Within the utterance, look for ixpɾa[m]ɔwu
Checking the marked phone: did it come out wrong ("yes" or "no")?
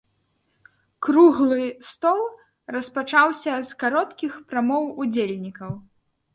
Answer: no